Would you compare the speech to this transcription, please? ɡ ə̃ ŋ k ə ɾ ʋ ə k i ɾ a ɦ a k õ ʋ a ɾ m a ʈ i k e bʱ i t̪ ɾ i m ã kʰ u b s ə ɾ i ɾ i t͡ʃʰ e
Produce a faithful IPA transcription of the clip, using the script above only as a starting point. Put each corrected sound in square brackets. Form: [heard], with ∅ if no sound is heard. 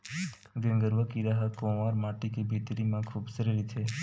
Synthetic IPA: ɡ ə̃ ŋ [ɡ] ə ɾ ʋ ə k i ɾ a ɦ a k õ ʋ a ɾ m a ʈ i k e bʱ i t̪ ɾ i m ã kʰ u b s ə ɾ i ɾ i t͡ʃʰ e

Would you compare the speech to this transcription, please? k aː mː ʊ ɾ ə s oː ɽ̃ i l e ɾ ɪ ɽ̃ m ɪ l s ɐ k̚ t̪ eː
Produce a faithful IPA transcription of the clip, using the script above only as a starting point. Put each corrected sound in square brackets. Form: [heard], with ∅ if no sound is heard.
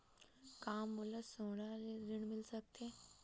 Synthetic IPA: k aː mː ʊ [l] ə s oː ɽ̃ [a] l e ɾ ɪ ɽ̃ m ɪ l s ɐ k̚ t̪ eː

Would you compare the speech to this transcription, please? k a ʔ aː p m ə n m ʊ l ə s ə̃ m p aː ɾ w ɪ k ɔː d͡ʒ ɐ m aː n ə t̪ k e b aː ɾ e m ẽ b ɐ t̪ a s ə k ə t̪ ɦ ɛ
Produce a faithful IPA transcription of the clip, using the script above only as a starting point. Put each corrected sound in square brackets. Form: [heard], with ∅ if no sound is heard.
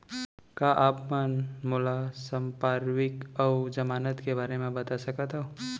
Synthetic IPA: k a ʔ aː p m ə n m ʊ l [a] s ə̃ m p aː ɾ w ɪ k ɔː d͡ʒ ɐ m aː n ə t̪ k e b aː ɾ e m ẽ b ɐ t̪ a s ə k ə t̪ ɦ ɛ

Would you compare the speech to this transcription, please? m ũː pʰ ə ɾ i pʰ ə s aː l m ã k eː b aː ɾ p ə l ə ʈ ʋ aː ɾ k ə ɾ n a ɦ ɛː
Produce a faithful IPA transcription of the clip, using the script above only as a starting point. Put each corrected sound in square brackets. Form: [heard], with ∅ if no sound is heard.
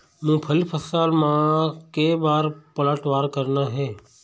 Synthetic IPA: m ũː pʰ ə [l] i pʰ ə s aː l m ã k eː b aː ɾ p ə l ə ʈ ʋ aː ɾ k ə ɾ n a ɦ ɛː

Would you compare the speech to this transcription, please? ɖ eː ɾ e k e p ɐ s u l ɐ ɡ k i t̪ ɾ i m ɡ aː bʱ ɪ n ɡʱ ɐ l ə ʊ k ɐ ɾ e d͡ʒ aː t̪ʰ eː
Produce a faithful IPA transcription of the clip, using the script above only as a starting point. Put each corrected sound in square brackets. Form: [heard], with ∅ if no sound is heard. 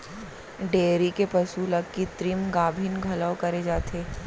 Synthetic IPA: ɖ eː ɾ [i] k e p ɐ s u l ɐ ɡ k i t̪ ɾ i m ɡ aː bʱ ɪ n ɡʱ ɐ l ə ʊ k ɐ ɾ e d͡ʒ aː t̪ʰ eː

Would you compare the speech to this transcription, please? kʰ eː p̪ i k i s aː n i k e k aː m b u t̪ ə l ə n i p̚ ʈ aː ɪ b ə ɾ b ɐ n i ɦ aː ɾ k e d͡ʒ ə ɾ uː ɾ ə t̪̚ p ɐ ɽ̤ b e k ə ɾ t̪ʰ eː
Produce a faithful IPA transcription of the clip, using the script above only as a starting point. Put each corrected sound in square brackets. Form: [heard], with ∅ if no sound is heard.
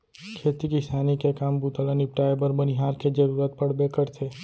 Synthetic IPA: kʰ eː [t̪] i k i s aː n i k e k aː m b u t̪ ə l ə n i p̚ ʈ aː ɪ b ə ɾ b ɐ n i ɦ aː ɾ k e d͡ʒ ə ɾ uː ɾ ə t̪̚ p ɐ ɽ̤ b e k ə ɾ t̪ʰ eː

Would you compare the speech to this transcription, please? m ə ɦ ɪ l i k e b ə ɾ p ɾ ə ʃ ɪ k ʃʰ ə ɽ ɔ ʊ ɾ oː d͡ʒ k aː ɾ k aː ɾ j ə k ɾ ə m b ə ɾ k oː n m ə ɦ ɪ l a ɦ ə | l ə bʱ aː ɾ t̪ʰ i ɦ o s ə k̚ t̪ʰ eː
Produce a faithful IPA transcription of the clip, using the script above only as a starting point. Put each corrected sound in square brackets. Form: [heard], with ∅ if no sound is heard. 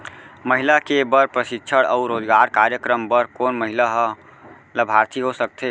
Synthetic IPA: m ə ɦ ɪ l [a] k e b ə ɾ p ɾ ə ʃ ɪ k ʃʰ ə ɽ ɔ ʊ ɾ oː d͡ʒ [ɡ] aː ɾ k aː ɾ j ə k ɾ ə m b ə ɾ k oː n m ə ɦ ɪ l a ɦ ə | l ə bʱ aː ɾ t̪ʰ i ɦ o s ə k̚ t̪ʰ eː

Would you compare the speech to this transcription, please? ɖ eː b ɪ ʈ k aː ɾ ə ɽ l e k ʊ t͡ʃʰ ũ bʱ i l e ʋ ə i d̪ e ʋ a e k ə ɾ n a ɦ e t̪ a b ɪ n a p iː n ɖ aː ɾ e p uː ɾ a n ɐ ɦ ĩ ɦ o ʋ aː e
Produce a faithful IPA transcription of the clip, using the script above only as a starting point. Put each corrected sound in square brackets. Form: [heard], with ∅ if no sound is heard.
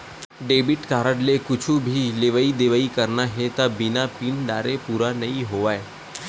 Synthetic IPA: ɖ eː b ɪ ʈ k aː ɾ ə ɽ l e k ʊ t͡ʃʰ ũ bʱ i l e ʋ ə i d̪ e ʋ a [i] k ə ɾ n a ɦ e t̪ a b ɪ n a p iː n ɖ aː ɾ e p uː ɾ a n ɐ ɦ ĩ ɦ o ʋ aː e

